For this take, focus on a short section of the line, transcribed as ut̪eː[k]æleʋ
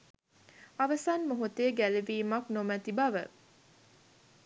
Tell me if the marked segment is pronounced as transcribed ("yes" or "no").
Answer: no